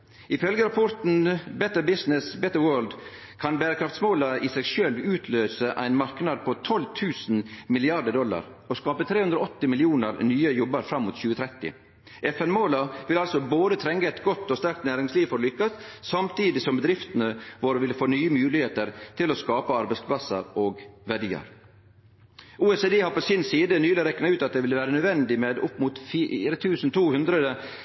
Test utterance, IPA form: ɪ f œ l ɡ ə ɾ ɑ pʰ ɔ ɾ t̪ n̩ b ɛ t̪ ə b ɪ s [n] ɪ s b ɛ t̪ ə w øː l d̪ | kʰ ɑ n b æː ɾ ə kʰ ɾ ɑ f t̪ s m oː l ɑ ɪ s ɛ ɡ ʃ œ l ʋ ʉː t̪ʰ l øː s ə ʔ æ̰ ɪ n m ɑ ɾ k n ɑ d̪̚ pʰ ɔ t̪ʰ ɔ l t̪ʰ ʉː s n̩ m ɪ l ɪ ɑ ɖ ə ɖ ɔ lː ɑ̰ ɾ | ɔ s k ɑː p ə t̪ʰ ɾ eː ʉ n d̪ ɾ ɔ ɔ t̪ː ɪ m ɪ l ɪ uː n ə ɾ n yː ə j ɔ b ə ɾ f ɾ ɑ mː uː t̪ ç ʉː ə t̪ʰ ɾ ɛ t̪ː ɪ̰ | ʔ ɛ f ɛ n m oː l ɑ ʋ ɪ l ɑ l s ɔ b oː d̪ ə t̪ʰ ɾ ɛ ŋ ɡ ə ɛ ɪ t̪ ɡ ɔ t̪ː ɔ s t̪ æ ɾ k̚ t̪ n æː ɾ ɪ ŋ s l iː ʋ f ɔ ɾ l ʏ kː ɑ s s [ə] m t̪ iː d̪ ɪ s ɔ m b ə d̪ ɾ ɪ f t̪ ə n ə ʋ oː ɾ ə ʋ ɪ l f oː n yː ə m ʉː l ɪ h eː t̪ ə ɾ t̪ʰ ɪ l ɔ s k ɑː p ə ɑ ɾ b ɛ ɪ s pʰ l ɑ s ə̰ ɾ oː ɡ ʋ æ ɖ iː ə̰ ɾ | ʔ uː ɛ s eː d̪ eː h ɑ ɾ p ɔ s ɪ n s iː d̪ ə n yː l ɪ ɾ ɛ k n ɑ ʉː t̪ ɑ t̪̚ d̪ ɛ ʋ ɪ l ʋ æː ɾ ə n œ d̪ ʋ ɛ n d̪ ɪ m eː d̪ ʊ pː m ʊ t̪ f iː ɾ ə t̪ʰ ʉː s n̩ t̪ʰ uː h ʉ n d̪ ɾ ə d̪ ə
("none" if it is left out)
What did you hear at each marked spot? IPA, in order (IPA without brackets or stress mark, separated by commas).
n, ɑ